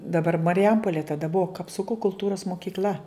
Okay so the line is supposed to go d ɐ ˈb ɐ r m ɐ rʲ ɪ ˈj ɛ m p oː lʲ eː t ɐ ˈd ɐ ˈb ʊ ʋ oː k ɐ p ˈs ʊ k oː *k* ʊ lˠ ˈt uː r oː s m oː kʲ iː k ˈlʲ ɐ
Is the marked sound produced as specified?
yes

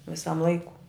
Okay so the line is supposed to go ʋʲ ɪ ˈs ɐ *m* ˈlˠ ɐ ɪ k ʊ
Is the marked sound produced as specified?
yes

